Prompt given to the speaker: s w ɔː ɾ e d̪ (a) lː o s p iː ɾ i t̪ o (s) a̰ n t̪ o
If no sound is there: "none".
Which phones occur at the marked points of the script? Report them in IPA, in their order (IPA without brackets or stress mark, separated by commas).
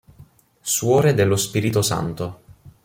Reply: e, s